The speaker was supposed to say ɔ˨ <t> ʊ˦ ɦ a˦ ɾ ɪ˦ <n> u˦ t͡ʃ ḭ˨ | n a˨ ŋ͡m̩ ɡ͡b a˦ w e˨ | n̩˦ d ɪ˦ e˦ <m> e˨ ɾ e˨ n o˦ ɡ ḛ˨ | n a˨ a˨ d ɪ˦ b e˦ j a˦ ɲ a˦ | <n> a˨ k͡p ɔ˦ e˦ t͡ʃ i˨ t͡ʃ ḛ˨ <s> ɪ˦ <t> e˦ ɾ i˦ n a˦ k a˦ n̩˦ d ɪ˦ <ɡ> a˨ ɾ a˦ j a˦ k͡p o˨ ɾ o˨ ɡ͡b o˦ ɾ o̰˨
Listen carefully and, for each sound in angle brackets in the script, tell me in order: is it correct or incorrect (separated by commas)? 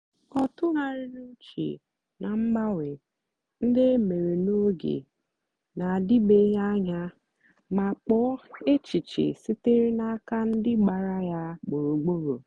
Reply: correct, correct, correct, incorrect, correct, correct, incorrect